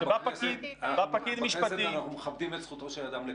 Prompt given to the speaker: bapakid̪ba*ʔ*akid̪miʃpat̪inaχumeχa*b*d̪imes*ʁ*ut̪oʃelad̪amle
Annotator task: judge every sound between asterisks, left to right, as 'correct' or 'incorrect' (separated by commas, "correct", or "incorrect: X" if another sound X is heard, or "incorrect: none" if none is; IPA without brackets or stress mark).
incorrect: p, correct, incorrect: χ